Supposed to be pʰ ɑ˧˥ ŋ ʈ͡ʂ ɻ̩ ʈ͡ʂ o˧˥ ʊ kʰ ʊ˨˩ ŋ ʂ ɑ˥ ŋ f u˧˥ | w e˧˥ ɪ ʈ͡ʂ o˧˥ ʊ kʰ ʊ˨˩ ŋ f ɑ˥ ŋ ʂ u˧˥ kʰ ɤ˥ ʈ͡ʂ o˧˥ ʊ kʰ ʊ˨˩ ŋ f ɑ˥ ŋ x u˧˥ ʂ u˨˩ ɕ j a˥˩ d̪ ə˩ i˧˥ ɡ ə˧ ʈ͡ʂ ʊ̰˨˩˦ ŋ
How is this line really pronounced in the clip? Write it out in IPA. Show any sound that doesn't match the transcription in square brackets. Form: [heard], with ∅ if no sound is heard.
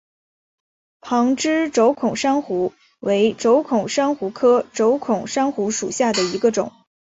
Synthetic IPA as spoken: pʰ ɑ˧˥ ŋ ʈ͡ʂ ɻ̩ ʈ͡ʂ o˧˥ ʊ kʰ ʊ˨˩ ŋ ʂ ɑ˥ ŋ [x] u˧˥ | w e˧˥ ɪ ʈ͡ʂ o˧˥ ʊ kʰ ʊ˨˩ ŋ [ʂ] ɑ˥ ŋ [x] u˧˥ kʰ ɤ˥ ʈ͡ʂ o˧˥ ʊ kʰ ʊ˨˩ ŋ [ʂ] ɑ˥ ŋ x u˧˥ ʂ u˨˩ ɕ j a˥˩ d̪ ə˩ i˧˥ ɡ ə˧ ʈ͡ʂ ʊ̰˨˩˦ ŋ